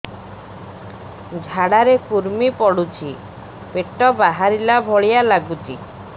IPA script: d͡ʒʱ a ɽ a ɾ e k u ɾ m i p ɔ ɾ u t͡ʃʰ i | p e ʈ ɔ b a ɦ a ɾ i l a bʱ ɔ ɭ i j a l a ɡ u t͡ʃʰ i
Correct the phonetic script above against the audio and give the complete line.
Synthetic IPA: d͡ʒʱ a ɽ a ɾ e k u ɾ m i p ɔ ɽ u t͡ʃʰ i | p e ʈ ɔ b a ɦ a ɾ i l a bʱ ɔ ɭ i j a l a ɡ u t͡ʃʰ i